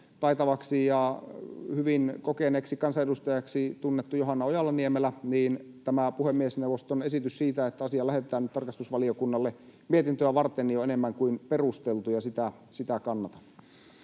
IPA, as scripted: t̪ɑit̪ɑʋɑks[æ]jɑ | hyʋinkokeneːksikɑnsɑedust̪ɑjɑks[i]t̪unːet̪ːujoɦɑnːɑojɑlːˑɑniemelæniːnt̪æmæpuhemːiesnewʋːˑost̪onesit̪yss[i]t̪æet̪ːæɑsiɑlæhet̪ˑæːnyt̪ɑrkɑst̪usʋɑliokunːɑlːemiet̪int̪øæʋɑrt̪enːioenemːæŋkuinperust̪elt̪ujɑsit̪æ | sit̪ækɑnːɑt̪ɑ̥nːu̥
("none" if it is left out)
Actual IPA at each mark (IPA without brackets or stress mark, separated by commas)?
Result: i, i, iː